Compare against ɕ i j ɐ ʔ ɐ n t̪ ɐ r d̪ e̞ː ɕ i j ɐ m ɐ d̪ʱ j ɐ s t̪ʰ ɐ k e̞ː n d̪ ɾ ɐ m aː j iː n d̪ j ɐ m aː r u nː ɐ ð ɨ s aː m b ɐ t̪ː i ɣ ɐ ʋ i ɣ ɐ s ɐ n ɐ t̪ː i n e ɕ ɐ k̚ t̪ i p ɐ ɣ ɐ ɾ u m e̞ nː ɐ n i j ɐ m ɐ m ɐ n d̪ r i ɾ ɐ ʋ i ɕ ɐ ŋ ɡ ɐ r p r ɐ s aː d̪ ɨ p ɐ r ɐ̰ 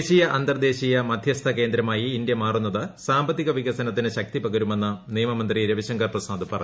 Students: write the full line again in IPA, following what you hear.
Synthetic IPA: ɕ i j ɐ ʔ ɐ n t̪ ɐ r d̪ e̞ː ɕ i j ɐ m ɐ d̪ʱ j ɐ s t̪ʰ ɐ k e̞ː n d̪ ɾ ɐ m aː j iː n d̪ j ɐ m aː r u nː ɐ ð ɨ s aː m b ɐ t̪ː i ɣ ɐ ʋ i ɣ ɐ s ɐ n ɐ t̪ː i n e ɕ ɐ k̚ t̪ i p ɐ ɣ ɐ ɾ u m e̞ nː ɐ n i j ɐ m ɐ m ɐ n d̪ r i ɾ ɐ ʋ i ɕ ɐ ŋ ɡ ɐ r p r ɐ s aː d̪ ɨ p ɐ r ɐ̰